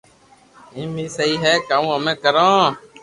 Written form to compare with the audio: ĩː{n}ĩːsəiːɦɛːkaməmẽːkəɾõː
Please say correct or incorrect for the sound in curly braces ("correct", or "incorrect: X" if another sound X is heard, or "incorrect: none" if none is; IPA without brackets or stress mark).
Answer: incorrect: m